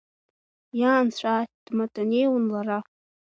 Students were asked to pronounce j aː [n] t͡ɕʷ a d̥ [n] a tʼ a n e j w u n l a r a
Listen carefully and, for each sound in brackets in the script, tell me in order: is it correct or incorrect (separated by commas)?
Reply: correct, incorrect